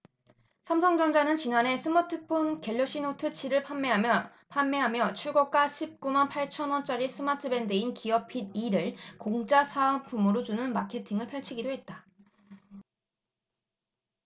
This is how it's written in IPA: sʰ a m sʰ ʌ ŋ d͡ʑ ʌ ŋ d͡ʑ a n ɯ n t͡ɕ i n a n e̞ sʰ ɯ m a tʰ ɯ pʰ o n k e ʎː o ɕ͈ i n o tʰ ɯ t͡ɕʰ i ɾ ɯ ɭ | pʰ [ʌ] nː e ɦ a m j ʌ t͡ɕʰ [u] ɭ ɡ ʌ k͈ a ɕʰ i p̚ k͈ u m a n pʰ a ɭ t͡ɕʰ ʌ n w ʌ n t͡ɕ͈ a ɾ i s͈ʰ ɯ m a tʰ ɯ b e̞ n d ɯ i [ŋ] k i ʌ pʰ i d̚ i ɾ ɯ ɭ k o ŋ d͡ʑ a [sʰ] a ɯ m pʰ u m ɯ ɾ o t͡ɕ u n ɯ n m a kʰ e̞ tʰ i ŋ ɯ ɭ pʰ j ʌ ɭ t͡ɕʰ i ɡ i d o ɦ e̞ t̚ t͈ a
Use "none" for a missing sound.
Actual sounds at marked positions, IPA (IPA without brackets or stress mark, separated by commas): a, u, n, sʰ